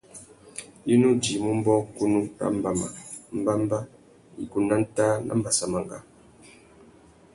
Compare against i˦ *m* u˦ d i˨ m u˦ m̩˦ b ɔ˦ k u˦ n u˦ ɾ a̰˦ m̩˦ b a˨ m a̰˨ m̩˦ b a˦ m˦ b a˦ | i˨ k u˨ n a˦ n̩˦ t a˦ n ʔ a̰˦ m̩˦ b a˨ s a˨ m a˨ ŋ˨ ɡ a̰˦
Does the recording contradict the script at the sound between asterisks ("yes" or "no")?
yes